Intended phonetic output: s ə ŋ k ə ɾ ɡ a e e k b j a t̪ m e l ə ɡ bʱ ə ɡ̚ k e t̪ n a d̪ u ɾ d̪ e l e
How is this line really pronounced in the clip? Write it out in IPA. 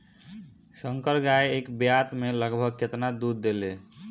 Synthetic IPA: s ə ŋ k ə ɾ ɡ a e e k b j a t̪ m e l ə ɡ bʱ ə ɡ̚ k e t̪ n a d̪ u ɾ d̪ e l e